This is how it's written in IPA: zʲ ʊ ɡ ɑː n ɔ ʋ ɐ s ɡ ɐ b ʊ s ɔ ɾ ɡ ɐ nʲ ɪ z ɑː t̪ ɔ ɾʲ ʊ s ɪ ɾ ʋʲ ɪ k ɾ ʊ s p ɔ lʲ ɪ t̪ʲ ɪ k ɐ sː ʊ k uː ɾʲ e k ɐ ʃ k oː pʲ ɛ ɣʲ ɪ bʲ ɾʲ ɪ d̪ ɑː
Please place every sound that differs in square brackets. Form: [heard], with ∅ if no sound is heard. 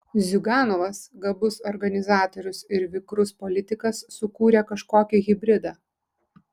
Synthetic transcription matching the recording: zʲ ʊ ɡ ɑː n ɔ ʋ ɐ s ɡ ɐ b ʊ s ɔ ɾ ɡ ɐ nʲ ɪ z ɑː t̪ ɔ ɾʲ ʊ s ɪ ɾ ʋʲ ɪ k ɾ ʊ s p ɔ lʲ ɪ t̪ʲ ɪ k ɐ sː ʊ k uː ɾʲ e k ɐ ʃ k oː [kʲ] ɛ ɣʲ ɪ bʲ ɾʲ ɪ d̪ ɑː